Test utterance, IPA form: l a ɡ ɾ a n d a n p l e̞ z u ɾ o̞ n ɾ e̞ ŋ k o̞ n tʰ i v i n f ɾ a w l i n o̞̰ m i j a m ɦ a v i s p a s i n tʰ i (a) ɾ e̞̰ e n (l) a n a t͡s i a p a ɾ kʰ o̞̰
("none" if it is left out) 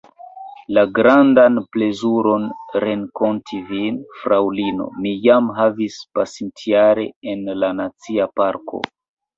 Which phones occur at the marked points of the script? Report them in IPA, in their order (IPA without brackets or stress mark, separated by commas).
a, l